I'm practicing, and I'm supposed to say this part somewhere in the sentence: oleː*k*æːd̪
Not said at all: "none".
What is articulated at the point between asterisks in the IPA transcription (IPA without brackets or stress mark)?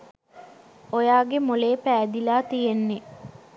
p